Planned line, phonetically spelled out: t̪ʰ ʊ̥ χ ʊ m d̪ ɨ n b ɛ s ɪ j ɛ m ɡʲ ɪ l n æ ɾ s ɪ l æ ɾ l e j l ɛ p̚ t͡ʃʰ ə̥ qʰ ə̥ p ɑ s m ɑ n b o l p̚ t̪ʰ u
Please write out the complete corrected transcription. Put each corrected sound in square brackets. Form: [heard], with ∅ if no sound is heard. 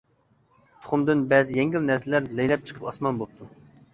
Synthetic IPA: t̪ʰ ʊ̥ χ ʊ m d̪ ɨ n b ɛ [z] ɪ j ɛ [ŋ] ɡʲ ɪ l n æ ɾ s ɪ l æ ɾ l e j l ɛ p̚ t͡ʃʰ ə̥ qʰ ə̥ p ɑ s m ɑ n b o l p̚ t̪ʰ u